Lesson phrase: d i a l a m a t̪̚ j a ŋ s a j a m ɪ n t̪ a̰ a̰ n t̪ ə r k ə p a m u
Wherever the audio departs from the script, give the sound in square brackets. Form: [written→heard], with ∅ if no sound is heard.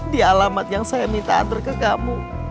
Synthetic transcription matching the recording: d i a l a m a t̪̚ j a ŋ s a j a m [ɪ→i] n t̪ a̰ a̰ n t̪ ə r k ə [p→k] a m u